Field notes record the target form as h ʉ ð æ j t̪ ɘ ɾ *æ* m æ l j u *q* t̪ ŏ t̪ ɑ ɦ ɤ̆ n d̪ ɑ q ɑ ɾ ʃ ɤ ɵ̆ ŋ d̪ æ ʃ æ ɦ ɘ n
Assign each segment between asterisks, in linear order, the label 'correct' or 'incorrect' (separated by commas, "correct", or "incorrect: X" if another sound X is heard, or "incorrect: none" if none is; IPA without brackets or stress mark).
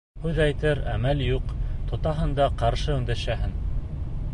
correct, correct